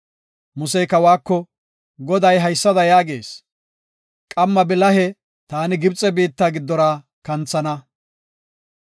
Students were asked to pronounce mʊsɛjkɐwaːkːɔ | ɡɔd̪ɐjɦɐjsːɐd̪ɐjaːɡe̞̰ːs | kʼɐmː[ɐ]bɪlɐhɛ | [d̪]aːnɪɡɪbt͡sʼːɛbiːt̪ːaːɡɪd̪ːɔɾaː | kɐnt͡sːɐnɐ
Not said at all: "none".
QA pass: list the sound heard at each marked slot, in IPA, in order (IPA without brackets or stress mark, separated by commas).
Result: ɐ, t̪